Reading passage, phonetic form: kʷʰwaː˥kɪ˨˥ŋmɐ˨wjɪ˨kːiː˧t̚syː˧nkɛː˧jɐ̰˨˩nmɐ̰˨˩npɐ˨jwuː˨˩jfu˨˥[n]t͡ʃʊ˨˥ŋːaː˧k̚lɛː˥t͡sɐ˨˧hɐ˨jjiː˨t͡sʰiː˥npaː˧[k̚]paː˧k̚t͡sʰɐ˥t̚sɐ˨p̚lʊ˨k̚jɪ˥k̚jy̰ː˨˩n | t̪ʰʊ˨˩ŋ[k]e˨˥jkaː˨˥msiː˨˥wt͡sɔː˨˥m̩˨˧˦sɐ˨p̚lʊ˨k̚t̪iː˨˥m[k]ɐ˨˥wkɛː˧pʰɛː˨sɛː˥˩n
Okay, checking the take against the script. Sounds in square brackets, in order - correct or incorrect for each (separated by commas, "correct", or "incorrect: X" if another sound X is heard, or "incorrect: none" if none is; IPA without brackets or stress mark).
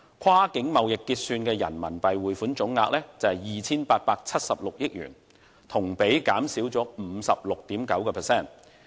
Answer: correct, incorrect: t̚, incorrect: p, correct